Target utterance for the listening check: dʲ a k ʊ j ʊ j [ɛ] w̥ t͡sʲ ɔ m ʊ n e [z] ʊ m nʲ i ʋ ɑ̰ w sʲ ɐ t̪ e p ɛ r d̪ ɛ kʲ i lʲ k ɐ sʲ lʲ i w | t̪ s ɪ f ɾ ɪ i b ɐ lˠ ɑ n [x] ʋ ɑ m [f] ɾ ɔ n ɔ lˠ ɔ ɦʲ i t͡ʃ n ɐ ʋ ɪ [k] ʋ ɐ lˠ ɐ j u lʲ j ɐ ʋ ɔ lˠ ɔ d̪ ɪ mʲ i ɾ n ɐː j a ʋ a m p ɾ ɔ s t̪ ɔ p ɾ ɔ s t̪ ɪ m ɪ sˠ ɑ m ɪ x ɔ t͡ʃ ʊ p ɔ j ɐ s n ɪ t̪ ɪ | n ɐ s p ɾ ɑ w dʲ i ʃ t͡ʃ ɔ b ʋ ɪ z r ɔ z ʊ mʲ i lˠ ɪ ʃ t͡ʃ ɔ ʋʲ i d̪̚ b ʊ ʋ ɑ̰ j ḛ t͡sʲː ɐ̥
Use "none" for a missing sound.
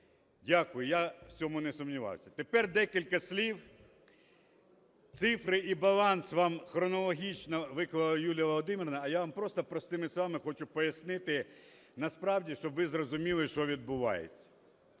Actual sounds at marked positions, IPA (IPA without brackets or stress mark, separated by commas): a, s, s, x, k